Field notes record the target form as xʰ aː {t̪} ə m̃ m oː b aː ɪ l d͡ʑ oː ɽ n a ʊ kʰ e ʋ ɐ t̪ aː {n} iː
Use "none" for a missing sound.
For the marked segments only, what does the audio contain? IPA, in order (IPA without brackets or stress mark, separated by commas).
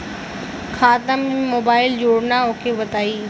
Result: t̪, none